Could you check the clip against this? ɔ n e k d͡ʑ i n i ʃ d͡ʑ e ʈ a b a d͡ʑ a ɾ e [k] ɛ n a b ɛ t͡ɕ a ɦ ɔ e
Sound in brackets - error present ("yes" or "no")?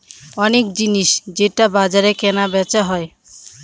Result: no